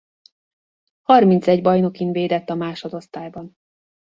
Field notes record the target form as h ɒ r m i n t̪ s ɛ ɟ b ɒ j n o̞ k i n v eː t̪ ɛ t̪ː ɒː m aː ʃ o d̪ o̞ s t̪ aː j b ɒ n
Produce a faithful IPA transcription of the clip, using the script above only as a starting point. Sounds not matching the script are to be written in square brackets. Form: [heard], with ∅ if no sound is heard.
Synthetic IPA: h ɒ r m i n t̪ s ɛ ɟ b ɒ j n o̞ k i n v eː [d̪] ɛ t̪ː [ɒ] m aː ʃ o d̪ o̞ s t̪ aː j b ɒ n